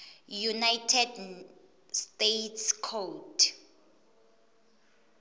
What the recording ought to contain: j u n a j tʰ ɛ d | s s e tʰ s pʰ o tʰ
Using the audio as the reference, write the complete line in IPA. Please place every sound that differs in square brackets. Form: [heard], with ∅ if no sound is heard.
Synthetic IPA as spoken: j u n a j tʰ ɛ d | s [t] e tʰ s [kʰ] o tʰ

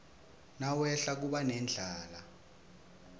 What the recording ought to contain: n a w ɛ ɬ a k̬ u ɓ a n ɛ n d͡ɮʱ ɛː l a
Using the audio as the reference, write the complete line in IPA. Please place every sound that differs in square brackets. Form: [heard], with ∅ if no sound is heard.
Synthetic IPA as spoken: n a w ɛ ɬ a k̬ u ɓ a n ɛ n d͡ɮʱ [aː] l a

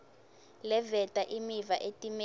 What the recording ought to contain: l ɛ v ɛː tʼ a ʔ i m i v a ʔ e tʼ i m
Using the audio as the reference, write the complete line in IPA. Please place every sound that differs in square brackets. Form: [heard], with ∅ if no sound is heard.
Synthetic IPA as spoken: l ɛ v [ɛ] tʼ a ʔ i m i v a ʔ e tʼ i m

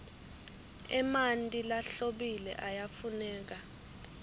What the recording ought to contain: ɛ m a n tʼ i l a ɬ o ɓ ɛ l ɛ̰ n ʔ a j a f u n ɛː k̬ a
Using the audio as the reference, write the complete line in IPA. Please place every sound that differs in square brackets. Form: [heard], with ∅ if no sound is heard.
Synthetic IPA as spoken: ɛ m a n tʼ i l a ɬ o ɓ [i] l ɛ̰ [∅] ʔ a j a f u n ɛː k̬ a

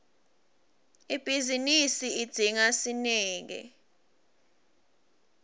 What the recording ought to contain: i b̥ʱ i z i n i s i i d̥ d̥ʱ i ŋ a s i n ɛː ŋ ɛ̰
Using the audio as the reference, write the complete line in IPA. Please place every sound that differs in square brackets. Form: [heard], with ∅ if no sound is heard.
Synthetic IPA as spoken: i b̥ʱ i z i n i s i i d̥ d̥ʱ i ŋ a s i n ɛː ŋ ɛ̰

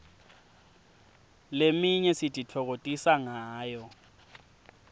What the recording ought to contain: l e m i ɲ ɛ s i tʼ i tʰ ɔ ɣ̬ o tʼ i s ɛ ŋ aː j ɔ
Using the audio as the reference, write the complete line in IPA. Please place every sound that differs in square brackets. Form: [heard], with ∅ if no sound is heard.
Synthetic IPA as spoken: l e m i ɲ ɛ s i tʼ i tʰ ɔ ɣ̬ o tʼ i s [a] ŋ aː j ɔ

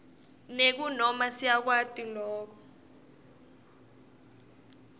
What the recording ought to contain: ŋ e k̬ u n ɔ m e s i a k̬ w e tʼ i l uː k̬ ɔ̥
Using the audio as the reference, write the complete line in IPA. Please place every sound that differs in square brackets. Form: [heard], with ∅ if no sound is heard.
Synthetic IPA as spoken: [n] e k̬ u n ɔ m [a] s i a k̬ w [a] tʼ i l [ɔː] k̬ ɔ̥

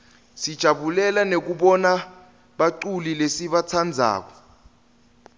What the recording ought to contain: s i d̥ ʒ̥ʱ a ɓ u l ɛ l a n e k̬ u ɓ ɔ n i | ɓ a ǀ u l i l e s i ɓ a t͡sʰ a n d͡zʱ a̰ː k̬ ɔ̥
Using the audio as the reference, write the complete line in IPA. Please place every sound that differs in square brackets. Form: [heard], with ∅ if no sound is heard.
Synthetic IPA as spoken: s i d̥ ʒ̥ʱ a ɓ u l ɛ l a n e k̬ u ɓ ɔ n [a] | ɓ a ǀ u l i l e s i ɓ a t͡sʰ a n d͡zʱ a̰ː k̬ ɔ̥

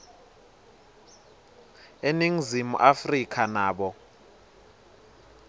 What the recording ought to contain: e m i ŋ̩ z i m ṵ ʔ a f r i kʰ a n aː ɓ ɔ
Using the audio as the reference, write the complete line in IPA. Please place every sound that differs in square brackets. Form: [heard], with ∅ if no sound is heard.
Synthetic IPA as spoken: e [n] i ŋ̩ z i m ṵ ʔ a f r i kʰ a n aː ɓ ɔ

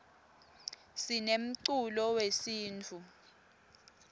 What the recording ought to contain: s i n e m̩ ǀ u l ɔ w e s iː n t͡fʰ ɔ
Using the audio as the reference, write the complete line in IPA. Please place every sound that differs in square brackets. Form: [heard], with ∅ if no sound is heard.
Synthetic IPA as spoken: s i n e m̩ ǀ u l ɔ w e s iː n t͡fʰ [u]

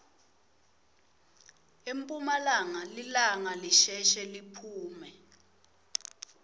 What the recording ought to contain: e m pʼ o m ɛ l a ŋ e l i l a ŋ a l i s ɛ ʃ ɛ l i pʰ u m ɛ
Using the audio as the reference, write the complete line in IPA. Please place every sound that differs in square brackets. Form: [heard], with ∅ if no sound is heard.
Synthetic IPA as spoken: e m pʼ [u] m [a] l a ŋ [a] l i l a ŋ a l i [ʃ] ɛ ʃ ɛ l i pʰ [uː] m ɛ

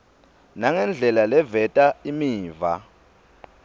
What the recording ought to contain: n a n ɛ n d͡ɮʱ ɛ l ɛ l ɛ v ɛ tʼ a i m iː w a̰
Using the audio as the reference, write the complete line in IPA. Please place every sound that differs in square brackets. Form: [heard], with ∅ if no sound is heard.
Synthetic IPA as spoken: n a [ŋ] ɛ n d͡ɮʱ ɛ l [a] l ɛ v ɛ tʼ a i m iː [v] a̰

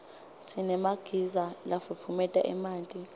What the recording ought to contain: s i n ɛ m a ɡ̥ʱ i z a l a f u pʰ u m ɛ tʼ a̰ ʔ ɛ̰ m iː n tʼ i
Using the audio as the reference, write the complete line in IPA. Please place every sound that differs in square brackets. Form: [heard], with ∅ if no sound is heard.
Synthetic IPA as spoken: s i n ɛ m a ɡ̥ʱ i z a l a f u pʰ u m ɛ tʼ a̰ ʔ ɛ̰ m [aː] n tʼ i

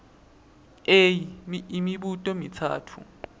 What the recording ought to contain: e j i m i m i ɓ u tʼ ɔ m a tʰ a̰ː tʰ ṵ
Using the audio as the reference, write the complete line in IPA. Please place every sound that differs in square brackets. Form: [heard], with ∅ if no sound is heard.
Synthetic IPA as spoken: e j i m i m i ɓ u tʼ ɔ m [i] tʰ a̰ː tʰ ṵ

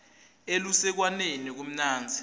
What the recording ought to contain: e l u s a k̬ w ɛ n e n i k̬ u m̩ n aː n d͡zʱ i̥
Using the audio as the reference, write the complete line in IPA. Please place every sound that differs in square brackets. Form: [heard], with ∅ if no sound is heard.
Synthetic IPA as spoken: e l u s [ɛ] k̬ w [a] n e n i k̬ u m̩ n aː n d͡zʱ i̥

